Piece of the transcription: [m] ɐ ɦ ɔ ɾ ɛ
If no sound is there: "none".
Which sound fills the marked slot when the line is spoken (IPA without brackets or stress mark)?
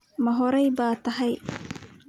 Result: m